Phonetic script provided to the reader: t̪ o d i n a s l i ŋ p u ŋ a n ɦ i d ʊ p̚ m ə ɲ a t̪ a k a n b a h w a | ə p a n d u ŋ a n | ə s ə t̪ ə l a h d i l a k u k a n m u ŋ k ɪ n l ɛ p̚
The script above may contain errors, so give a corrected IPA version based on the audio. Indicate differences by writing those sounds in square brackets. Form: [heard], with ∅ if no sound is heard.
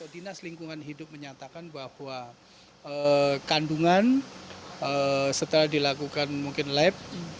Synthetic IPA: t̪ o d i n a s l i ŋ [k] u ŋ a n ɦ i d ʊ p̚ m ə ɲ a t̪ a k a n b a h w a | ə [k] a n d u ŋ a n | ə s ə t̪ ə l a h d i l a k u k a n m u ŋ k ɪ n l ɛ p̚